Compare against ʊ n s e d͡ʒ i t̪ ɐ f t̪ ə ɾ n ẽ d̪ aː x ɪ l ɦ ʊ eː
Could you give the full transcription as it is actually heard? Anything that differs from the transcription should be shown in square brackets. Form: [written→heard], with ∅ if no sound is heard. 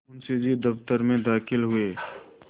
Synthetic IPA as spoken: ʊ n s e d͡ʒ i [t̪→d̪] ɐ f t̪ ə ɾ [n→m] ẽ d̪ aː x ɪ l ɦ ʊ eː